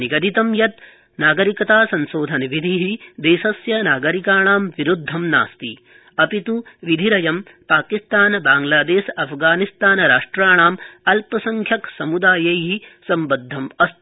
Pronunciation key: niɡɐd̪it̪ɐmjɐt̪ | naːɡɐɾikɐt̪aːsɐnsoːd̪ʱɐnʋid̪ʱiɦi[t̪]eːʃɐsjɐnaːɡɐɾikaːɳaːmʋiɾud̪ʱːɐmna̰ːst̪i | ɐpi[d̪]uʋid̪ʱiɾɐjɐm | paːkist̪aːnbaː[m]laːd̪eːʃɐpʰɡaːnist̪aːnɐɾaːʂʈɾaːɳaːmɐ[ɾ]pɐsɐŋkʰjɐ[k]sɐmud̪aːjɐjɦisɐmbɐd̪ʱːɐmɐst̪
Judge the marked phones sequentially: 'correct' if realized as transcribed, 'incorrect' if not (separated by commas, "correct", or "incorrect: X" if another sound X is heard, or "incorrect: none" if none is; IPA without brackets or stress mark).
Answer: incorrect: d̪, incorrect: t̪, incorrect: ŋ, incorrect: l, correct